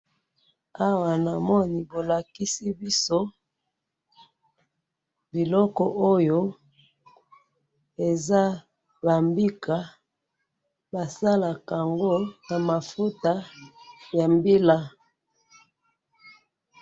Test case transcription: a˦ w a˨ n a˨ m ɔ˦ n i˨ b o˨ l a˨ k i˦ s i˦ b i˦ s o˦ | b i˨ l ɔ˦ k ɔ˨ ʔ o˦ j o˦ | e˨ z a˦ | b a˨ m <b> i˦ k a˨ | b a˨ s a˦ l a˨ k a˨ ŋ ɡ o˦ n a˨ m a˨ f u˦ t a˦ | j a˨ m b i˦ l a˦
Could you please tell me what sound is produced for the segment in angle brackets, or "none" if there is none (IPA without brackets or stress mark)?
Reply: b